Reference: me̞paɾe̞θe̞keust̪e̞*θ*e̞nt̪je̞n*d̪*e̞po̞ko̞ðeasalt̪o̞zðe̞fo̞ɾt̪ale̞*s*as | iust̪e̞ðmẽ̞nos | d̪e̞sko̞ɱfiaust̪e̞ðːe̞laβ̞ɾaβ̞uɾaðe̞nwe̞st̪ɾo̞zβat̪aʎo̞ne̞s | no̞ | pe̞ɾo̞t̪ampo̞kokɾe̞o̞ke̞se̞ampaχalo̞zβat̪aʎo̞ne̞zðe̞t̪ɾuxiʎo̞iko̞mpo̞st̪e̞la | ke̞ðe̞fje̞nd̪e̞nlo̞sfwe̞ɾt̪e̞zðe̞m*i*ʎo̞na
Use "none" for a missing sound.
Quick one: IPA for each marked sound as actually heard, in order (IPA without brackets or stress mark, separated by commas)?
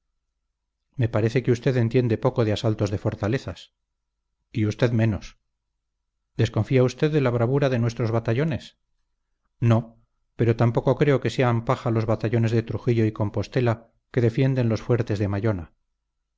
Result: ð, d̪, θ, a